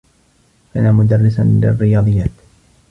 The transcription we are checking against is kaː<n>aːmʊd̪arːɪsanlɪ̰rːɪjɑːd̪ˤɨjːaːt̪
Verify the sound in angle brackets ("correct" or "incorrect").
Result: correct